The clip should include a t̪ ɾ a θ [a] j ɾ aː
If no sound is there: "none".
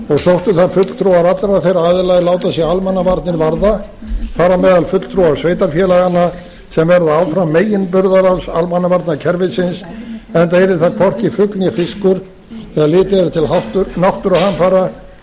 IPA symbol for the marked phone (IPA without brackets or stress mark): e